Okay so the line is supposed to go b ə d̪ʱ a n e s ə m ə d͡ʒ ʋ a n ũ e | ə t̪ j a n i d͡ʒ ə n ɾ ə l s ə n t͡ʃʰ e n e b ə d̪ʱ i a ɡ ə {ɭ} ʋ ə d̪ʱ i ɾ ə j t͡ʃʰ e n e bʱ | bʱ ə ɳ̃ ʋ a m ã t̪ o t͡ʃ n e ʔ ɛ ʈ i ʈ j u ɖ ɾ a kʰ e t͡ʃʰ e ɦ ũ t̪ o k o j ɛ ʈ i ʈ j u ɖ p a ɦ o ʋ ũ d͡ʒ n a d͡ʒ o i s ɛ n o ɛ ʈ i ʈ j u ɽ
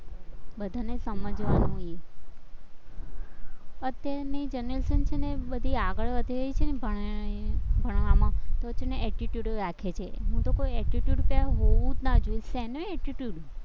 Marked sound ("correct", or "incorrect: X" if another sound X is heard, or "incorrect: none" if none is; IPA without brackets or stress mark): correct